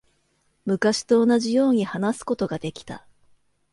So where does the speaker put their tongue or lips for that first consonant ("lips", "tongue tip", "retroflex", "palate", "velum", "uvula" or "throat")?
lips